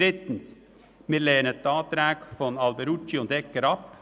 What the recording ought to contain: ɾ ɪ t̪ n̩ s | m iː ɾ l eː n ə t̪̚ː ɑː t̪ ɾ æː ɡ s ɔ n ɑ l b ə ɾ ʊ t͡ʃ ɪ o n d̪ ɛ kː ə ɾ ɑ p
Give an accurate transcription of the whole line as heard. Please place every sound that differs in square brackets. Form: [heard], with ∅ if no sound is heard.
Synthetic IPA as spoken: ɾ ɪ t̪ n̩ s | m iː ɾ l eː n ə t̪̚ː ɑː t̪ ɾ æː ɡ [f] ɔ n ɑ l b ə ɾ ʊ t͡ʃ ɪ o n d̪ ɛ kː ə ɾ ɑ p